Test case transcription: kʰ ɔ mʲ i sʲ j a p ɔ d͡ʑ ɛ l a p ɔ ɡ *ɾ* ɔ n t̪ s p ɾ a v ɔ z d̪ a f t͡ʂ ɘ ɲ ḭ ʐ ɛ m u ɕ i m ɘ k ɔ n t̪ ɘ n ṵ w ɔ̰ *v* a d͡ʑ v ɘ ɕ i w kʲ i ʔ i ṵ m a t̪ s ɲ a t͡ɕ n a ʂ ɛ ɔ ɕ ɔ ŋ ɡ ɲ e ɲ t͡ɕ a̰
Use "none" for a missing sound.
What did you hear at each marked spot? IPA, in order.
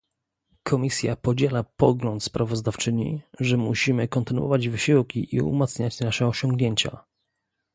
l, v

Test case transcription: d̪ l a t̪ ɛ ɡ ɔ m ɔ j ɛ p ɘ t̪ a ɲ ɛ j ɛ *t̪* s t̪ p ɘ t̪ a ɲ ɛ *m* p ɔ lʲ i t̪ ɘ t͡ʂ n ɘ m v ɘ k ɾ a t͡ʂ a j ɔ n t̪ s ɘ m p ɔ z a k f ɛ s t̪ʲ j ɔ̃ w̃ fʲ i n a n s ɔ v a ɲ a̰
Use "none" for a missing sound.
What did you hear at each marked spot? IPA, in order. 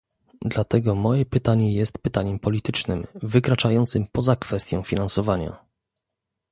none, m

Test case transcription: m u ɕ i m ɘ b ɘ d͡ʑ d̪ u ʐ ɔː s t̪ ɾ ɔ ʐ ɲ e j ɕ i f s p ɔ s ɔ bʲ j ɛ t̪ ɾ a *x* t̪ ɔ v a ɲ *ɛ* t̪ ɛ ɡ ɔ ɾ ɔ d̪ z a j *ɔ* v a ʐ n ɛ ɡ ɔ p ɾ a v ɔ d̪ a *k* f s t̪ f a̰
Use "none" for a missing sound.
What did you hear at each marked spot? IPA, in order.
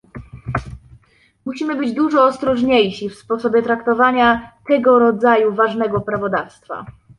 k, a, u, none

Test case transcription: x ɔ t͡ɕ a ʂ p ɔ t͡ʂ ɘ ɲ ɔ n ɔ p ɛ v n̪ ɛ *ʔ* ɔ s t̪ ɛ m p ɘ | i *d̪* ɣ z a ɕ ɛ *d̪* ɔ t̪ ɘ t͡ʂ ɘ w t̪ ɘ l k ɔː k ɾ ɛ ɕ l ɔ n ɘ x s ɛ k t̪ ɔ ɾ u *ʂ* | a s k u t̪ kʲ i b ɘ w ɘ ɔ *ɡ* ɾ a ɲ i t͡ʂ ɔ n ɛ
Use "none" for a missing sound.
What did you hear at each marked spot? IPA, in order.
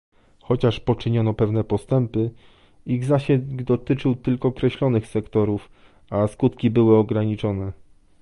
p, none, d̪, f, ɡ

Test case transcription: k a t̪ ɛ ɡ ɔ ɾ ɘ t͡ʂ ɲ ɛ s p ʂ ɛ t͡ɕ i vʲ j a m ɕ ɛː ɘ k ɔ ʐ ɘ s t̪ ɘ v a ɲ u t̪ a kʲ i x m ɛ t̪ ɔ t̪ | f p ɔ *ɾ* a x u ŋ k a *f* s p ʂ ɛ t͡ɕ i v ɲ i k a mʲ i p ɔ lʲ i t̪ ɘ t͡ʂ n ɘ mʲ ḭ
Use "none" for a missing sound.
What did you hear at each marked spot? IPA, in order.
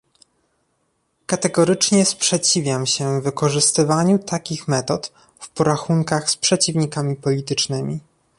ɾ, x

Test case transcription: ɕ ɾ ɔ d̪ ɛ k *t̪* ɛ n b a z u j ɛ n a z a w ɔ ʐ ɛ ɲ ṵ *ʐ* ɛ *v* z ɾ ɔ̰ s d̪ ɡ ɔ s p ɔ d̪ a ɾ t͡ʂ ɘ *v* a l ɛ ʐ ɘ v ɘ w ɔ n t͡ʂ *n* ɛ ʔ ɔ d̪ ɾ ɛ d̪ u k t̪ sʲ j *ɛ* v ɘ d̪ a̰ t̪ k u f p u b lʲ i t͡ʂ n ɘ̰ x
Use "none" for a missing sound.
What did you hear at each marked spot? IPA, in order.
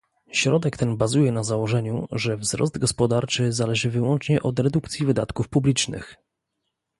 t̪, ʐ, v, z, ɲ, i

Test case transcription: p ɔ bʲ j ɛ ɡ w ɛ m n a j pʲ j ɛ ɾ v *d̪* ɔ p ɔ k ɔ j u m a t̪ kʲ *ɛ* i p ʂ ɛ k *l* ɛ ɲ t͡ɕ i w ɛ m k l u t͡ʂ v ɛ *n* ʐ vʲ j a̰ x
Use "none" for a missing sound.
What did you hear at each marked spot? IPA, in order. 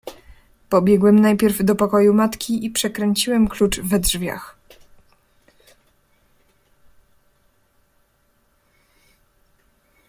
d̪, i, ɾ, d

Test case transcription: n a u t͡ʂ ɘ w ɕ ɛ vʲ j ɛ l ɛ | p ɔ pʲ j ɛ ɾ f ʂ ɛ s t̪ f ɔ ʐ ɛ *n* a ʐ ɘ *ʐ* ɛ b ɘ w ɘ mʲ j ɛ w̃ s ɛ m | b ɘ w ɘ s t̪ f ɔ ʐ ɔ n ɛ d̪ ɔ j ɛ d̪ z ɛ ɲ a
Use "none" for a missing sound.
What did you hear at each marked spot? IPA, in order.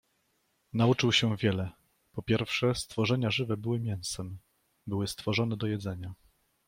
ɲ, v

